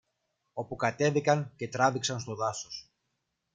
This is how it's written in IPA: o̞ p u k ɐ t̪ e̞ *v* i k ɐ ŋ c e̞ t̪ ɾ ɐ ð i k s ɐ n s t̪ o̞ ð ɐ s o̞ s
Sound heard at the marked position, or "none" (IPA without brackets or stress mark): ð